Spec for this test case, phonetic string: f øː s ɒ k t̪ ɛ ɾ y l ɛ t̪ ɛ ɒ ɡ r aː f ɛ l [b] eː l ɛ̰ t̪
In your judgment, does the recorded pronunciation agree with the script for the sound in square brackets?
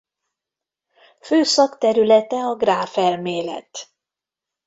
no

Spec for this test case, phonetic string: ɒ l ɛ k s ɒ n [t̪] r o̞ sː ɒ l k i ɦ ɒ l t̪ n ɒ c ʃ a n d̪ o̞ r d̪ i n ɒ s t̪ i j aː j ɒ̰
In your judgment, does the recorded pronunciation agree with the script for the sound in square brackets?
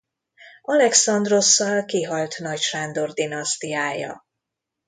no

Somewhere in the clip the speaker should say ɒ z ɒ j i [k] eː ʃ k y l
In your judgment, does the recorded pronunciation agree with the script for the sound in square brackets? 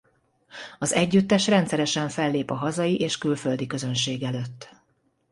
no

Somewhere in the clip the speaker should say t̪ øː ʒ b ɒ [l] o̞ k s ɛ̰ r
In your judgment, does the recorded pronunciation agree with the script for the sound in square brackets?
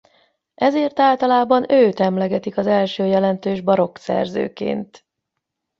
no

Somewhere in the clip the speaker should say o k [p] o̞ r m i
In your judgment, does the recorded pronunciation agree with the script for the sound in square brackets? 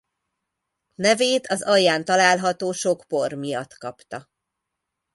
yes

